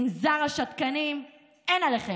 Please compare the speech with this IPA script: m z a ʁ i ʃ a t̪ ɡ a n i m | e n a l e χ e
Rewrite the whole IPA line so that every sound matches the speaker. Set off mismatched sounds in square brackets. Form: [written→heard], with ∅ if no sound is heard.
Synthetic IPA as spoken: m z a ʁ [i→a] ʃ a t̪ [ɡ→k] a n i m | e n a l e χ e